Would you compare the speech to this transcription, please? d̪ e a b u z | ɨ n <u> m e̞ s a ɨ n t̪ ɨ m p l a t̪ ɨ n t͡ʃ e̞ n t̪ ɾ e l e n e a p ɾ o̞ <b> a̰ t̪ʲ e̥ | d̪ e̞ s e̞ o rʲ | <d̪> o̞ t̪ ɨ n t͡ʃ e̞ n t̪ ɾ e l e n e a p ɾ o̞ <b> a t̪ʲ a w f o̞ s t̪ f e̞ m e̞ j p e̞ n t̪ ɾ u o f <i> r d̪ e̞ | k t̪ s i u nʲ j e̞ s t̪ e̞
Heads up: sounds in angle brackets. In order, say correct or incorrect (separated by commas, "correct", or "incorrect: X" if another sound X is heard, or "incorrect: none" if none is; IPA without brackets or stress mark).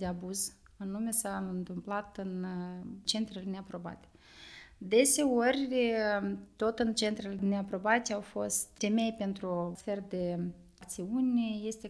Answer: correct, correct, incorrect: t̪, correct, incorrect: e